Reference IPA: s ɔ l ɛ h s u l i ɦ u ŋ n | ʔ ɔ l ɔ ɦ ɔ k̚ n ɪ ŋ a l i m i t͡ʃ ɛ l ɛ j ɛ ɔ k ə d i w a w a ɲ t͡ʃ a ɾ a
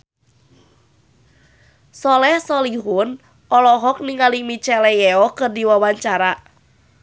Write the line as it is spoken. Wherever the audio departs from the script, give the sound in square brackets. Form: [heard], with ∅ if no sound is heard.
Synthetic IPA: s ɔ l ɛ h s [ɔ] l i ɦ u [∅] n | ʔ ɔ l ɔ ɦ ɔ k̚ n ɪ ŋ a l i m i t͡ʃ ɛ l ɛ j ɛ ɔ k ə d i w a w a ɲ t͡ʃ a ɾ a

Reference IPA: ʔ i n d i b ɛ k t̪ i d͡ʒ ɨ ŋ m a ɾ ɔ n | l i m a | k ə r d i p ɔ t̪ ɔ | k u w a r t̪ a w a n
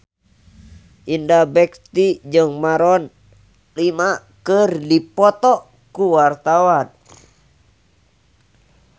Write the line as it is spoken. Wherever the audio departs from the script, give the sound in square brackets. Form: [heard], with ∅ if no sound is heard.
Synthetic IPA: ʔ i n d [a] b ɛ k t̪ i d͡ʒ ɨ ŋ m a ɾ ɔ n | l i m a | k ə r d i p ɔ t̪ ɔ | k u w a r t̪ a w a n

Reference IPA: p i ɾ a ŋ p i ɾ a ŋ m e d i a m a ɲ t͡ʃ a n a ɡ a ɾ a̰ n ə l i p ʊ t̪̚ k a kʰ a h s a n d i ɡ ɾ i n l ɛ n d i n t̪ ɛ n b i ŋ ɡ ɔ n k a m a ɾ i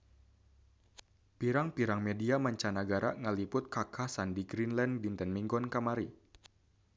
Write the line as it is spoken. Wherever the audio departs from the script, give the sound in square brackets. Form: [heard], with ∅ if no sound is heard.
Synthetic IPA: p i ɾ a ŋ p i ɾ a ŋ m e d i a m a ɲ t͡ʃ a n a ɡ a ɾ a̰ [ŋ] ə l i p ʊ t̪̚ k a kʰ a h s a n d i ɡ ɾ i n l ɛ n d i n t̪ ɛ n [m] i ŋ ɡ ɔ n k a m a ɾ i

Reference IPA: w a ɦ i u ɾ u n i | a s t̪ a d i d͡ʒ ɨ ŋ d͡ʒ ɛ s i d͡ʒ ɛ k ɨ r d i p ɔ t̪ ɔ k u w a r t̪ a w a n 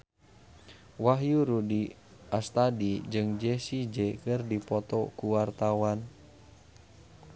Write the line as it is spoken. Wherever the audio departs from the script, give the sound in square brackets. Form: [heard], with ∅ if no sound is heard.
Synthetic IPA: w a ɦ [j] u ɾ u [d] i | a s t̪ a d i d͡ʒ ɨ ŋ d͡ʒ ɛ s i d͡ʒ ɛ k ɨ r d i p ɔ t̪ ɔ k u w a r t̪ a w a n

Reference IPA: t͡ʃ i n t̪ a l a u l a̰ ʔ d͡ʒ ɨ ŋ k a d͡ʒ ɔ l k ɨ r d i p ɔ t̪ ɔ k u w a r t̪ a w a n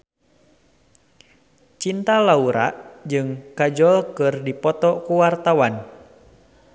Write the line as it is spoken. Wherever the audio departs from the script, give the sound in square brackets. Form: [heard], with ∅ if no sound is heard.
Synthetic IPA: t͡ʃ i n t̪ a l a u [ɾ] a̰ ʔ d͡ʒ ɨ ŋ k a d͡ʒ ɔ l k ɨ r d i p ɔ t̪ ɔ k u w a r t̪ a w a n

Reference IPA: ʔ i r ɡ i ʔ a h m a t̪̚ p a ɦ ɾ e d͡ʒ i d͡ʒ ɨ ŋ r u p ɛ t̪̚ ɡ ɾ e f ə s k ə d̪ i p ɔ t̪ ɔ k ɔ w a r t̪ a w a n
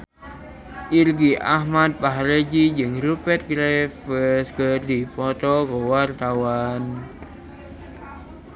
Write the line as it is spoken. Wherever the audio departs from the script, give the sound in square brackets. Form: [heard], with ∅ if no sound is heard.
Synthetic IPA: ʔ i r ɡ i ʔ a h m a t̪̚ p a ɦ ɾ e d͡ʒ i d͡ʒ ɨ ŋ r u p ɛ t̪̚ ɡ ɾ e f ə s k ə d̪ i p ɔ t̪ ɔ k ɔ w a r t̪ a w a n

